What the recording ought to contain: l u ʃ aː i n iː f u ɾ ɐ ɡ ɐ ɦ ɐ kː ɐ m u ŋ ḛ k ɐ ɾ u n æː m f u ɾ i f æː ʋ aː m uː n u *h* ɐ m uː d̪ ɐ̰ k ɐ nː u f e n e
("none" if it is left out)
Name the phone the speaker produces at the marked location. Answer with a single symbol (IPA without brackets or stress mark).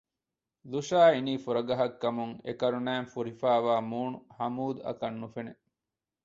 h